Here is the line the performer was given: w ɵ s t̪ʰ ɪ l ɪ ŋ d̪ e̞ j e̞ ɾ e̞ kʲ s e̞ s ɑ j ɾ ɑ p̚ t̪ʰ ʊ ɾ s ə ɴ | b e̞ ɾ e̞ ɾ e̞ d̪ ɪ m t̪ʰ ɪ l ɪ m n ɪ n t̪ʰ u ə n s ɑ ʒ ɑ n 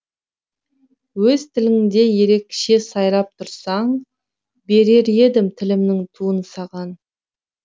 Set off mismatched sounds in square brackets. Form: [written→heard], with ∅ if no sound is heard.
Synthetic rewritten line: w ɵ [s→z] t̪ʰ ɪ l ɪ ŋ d̪ e̞ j e̞ ɾ e̞ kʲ [s→ʃ] e̞ s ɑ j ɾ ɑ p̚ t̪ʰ ʊ ɾ s [ə→ɑ] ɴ | b e̞ ɾ e̞ ɾ e̞ d̪ ɪ m t̪ʰ ɪ l ɪ m n ɪ [n→ŋ] t̪ʰ u ə n s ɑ [ʒ→ʁ] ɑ n